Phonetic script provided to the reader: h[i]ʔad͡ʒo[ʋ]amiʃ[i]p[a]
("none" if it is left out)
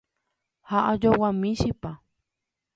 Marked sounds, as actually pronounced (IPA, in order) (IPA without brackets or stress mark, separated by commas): a, w, i, a